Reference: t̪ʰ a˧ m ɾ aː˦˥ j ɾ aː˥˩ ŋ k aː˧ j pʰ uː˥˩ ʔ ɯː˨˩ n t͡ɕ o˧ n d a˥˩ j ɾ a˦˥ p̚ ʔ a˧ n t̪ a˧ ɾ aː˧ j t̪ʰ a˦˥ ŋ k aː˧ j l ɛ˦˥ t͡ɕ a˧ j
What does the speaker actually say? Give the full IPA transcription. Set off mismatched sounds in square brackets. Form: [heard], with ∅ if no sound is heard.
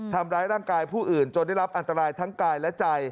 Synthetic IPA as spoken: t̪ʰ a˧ m ɾ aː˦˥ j ɾ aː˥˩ ŋ k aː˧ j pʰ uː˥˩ ʔ ɯː˨˩ n t͡ɕ o˧ n d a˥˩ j ɾ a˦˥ p̚ ʔ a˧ n t̪ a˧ ɾ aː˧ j t̪ʰ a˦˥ ŋ k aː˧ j l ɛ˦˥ t͡ɕ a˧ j

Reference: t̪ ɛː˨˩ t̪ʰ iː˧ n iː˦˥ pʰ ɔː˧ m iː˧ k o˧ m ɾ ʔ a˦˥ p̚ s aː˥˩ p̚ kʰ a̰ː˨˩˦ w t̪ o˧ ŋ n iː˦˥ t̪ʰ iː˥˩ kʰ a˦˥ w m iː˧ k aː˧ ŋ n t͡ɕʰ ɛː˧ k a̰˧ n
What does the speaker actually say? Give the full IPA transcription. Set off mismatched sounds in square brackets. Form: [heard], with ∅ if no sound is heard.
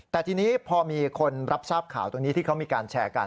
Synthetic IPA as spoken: t̪ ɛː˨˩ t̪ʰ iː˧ n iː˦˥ pʰ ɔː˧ m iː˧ [kʰ] o˧ [n] ɾ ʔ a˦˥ p̚ s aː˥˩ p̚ kʰ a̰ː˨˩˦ w t̪ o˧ ŋ n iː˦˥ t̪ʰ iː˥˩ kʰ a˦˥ w m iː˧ k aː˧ [∅] n t͡ɕʰ ɛː˧ k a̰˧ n

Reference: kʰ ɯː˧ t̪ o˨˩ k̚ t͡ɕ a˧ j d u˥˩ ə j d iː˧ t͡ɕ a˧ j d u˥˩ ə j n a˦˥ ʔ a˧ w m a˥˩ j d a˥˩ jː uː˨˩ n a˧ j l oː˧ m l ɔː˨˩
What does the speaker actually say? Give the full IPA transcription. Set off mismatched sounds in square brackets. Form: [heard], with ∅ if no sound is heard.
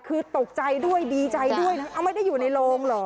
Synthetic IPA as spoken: kʰ ɯː˧ t̪ o˨˩ k̚ t͡ɕ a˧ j d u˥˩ ə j d iː˧ t͡ɕ a˧ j d u˥˩ ə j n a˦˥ ʔ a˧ w m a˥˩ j d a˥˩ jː uː˨˩ n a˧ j l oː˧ [ŋ] l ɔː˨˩

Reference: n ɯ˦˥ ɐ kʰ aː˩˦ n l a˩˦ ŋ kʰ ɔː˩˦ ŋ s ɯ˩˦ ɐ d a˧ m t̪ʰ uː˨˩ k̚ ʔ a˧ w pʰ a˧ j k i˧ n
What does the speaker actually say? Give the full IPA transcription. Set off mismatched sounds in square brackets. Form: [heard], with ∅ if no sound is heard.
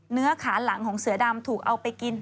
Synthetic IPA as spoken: n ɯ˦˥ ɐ kʰ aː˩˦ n l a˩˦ ŋ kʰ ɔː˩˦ ŋ s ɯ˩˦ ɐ d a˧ m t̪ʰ uː˨˩ k̚ ʔ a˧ w [p] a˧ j k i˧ n

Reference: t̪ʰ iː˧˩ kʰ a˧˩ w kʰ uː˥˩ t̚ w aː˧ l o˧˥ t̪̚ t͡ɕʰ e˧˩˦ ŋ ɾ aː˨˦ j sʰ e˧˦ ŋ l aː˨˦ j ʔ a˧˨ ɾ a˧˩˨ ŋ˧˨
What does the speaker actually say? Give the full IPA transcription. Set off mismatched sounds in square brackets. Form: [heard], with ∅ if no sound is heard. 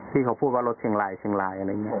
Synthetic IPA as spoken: t̪ʰ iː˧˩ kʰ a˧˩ w [pʰ] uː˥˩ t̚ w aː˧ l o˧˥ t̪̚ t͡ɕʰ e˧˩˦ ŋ [l] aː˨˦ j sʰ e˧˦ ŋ l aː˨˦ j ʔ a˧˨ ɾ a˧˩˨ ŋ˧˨

